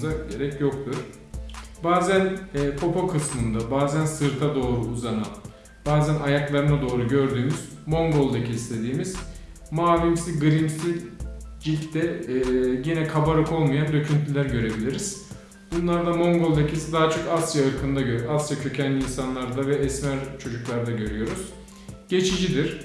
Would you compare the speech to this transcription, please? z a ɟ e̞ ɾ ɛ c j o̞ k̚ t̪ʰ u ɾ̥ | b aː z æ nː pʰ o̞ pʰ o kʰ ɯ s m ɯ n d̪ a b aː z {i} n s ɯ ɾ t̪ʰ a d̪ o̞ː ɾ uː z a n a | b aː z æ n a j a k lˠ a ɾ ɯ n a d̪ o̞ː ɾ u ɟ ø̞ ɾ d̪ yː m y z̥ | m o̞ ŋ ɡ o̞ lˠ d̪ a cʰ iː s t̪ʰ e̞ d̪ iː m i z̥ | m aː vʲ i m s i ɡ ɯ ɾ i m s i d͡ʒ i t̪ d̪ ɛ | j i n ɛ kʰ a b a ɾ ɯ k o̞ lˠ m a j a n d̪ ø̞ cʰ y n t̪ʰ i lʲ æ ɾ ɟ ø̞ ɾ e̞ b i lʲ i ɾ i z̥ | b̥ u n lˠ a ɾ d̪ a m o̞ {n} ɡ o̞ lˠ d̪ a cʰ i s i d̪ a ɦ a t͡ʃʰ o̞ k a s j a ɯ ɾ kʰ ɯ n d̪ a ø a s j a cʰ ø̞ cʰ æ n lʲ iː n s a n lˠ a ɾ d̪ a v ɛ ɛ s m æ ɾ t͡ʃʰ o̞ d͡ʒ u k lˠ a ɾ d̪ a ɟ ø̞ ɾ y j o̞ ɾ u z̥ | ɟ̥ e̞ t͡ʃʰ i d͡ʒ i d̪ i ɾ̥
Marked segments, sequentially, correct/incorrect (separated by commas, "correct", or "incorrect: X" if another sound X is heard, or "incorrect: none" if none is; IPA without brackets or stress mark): incorrect: æ, incorrect: ŋ